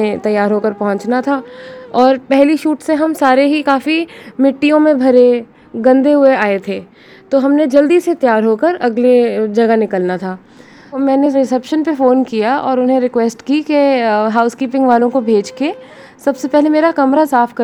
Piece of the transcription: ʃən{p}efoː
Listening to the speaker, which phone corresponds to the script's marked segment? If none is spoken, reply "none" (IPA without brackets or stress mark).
p